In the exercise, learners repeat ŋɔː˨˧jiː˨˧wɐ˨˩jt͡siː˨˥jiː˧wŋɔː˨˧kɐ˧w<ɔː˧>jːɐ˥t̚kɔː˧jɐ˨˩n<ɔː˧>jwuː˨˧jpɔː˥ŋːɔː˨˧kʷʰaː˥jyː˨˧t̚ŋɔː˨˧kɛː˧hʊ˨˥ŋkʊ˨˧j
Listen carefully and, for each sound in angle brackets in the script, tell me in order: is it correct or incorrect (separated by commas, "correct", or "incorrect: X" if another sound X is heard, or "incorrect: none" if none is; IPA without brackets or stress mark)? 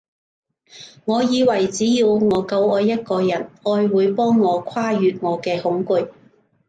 correct, correct